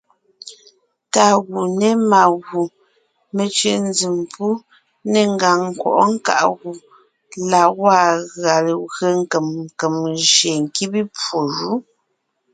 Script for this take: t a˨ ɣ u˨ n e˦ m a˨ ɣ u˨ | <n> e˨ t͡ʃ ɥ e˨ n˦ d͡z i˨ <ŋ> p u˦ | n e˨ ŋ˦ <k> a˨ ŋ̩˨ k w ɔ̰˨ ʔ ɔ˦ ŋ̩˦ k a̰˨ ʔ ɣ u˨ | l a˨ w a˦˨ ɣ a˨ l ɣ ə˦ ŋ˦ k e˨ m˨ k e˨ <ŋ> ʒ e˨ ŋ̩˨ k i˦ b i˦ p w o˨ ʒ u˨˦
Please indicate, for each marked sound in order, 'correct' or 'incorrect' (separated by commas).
incorrect, incorrect, incorrect, incorrect